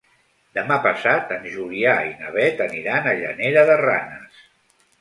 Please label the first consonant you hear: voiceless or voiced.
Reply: voiced